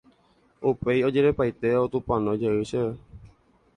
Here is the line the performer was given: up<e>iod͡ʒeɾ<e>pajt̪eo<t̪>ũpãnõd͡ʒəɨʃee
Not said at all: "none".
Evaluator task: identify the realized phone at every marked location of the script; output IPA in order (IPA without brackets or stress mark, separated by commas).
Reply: e, e, t̪